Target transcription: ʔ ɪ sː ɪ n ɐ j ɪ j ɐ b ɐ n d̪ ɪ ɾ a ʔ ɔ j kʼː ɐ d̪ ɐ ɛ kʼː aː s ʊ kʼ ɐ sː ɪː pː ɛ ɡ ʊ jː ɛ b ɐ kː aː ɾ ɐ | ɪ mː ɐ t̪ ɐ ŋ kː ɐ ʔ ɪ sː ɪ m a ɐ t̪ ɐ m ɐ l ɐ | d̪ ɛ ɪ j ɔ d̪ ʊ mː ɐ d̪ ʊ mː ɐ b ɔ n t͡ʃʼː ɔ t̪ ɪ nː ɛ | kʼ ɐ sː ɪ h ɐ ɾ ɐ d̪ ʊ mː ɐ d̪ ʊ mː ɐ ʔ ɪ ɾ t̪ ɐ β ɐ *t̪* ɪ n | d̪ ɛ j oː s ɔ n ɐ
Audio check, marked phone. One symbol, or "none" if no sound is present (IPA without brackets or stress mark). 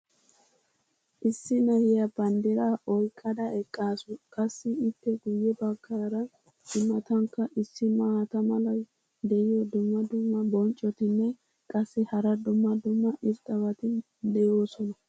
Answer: t̪